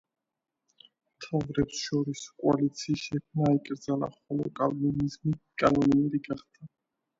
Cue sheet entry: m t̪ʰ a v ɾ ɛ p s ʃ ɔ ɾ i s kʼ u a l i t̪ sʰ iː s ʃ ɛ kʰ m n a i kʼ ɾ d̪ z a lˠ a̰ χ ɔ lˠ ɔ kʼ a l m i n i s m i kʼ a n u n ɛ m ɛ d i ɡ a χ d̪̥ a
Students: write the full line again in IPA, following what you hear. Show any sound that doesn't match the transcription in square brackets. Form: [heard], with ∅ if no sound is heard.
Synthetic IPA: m t̪ʰ a v ɾ ɛ p s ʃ ɔ ɾ i s kʼ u a l i t̪ sʰ iː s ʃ ɛ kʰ m n a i kʼ ɾ d̪ z a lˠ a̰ χ ɔ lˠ ɔ kʼ a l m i n i [z] m i kʼ a n [ɔ] n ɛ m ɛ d i ɡ a χ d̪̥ a

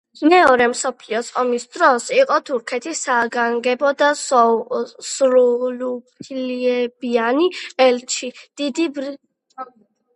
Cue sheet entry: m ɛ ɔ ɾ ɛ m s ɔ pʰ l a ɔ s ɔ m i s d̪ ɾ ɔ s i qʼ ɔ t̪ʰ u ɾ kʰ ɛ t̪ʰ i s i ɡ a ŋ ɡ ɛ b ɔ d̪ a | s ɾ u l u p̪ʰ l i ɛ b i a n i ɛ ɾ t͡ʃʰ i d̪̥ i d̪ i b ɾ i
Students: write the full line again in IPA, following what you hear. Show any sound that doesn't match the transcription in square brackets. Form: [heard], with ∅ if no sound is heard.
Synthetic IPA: m ɛ ɔ ɾ ɛ m s ɔ pʰ l [i] ɔ s ɔ m i s d̪ ɾ ɔ s i qʼ ɔ t̪ʰ u ɾ kʰ ɛ t̪ʰ i s [a] ɡ a ŋ ɡ ɛ b ɔ d̪ a | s ɾ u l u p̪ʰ l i ɛ b i a n i ɛ [l] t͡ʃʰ i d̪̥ i d̪ i b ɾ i

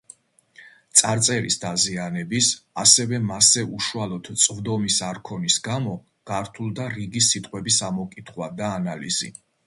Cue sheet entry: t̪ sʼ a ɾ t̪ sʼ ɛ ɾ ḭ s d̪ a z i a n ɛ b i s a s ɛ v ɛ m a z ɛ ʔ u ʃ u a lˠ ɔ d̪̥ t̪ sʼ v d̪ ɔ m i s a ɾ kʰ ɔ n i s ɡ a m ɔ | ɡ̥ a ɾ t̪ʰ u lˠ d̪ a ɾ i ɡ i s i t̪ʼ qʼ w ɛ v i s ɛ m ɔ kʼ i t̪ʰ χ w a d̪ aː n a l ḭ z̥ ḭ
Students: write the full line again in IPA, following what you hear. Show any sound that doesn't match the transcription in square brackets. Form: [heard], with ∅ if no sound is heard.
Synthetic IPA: t̪ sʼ a ɾ t̪ sʼ ɛ ɾ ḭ s d̪ a z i a n ɛ b i s a s ɛ v ɛ m a [s] ɛ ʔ u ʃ u a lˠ ɔ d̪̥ t̪ sʼ v d̪ ɔ m i s a ɾ kʰ ɔ n i s ɡ a m ɔ | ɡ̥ a ɾ t̪ʰ u lˠ d̪ a ɾ i ɡ i s i t̪ʼ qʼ w ɛ [b] i s [a] m ɔ kʼ i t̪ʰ χ w a d̪ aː n a l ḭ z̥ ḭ

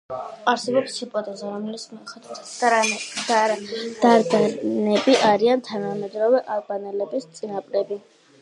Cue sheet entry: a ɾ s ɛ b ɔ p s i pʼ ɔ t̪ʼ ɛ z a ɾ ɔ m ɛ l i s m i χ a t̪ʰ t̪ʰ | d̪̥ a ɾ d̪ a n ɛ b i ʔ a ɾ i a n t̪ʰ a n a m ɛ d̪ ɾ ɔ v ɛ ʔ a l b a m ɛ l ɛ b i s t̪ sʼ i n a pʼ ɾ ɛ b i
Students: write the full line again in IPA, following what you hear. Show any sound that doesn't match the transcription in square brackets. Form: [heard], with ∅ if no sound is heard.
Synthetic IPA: a ɾ s ɛ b ɔ p s i pʼ ɔ t̪ʼ ɛ z a ɾ ɔ m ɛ l i s m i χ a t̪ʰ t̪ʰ | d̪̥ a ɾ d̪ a n ɛ b i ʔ a ɾ i a n t̪ʰ a n a m ɛ d̪ ɾ ɔ v ɛ ʔ a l b a [n] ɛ l ɛ b i s t̪ sʼ i n a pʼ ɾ ɛ b i

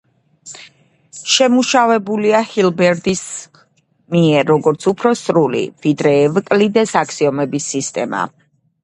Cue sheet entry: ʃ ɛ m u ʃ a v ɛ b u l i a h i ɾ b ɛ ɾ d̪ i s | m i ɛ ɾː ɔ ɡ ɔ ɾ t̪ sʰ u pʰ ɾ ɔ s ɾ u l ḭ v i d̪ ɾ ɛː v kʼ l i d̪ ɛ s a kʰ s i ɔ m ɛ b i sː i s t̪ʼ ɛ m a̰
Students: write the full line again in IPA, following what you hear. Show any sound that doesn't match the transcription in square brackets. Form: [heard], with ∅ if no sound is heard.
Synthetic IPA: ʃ ɛ m u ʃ a v ɛ b u l i a h i [l] b ɛ ɾ d̪ i s | m i ɛ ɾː ɔ ɡ ɔ ɾ t̪ sʰ u pʰ ɾ ɔ s ɾ u l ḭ v i d̪ ɾ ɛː v kʼ l i d̪ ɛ s a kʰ s i ɔ m ɛ b i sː i s t̪ʼ ɛ m a̰

